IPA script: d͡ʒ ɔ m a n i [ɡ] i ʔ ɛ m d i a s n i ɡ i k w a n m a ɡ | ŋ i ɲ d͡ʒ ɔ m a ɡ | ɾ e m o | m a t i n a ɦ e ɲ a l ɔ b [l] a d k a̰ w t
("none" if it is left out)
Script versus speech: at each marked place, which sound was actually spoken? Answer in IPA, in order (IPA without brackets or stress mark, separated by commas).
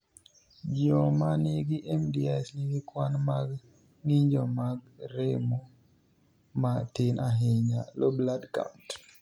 ɡ, l